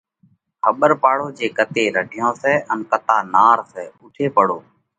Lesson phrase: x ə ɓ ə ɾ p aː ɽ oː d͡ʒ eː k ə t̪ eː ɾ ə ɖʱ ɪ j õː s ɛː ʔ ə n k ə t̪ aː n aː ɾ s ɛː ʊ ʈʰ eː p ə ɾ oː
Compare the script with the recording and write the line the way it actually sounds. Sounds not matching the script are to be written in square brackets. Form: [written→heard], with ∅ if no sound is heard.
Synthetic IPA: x ə ɓ ə ɾ p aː ɽ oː d͡ʒ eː k ə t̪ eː ɾ ə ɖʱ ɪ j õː s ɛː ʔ ə n k ə t̪ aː n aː ɾ s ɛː ʊ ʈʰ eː p ə [ɾ→ɽ] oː